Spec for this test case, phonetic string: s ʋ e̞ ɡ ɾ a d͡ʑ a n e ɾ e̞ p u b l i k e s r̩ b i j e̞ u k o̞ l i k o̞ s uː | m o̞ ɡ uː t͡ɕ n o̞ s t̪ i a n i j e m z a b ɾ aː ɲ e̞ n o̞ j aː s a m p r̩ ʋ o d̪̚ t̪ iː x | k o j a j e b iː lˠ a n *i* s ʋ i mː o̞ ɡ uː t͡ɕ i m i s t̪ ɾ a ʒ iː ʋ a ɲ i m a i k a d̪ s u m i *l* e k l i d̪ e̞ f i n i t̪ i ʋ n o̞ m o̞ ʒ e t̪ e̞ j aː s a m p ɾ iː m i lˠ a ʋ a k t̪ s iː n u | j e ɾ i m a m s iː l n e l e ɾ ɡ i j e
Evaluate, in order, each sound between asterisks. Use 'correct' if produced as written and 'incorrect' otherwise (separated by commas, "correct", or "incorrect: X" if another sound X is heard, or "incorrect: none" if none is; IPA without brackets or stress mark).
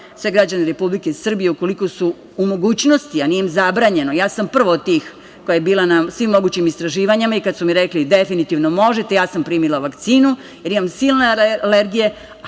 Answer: incorrect: a, incorrect: ɾ